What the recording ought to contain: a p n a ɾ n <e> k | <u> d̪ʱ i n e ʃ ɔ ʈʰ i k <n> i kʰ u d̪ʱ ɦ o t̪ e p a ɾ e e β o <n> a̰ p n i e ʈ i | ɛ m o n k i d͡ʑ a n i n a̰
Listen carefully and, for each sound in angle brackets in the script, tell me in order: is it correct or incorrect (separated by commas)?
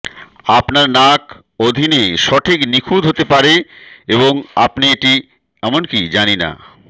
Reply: incorrect, incorrect, correct, incorrect